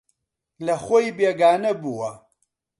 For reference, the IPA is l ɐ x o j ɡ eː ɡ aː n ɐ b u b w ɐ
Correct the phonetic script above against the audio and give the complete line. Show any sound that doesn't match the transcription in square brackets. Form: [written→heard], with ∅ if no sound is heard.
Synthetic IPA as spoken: l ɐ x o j [ɡ→b] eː ɡ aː n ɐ b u [b→∅] w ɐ